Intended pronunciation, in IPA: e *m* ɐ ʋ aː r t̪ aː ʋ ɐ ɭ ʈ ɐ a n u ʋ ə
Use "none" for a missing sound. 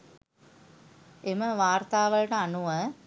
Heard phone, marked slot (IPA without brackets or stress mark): m